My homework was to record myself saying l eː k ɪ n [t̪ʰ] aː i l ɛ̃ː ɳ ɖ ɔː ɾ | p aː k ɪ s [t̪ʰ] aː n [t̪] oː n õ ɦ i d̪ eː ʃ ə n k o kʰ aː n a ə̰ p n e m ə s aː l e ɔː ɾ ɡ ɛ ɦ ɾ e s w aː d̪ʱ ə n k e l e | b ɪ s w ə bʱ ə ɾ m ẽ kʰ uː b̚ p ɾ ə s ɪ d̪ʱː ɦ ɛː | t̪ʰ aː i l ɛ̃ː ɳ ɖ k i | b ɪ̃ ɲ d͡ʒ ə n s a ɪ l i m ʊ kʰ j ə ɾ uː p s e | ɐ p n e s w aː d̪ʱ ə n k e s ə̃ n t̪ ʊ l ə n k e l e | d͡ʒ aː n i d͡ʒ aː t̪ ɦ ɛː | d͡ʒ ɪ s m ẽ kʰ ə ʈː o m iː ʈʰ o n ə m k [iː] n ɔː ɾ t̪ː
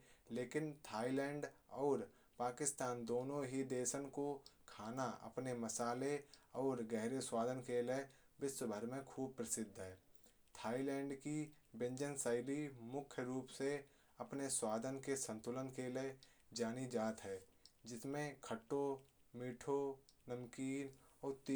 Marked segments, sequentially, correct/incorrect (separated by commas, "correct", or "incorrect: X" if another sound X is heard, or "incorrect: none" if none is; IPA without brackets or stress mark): correct, incorrect: t̪, incorrect: d̪, correct